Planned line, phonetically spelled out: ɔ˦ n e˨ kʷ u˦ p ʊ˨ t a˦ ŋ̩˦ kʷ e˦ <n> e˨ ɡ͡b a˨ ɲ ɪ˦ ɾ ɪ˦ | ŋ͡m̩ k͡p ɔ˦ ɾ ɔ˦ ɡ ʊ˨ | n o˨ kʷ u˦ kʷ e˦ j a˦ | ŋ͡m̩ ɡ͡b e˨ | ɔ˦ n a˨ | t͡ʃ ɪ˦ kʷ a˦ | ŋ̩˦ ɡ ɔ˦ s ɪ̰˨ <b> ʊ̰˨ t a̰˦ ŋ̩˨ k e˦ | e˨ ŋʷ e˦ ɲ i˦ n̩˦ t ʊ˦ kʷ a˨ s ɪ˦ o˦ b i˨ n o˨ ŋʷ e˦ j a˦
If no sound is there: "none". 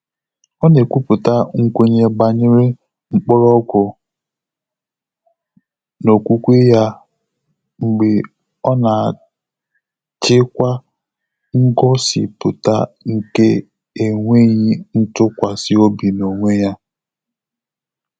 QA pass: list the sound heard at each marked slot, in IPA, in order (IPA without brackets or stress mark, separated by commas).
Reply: ɲ, p